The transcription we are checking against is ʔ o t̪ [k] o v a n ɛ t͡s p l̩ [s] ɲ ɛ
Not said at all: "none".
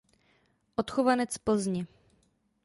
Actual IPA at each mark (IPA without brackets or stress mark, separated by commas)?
x, z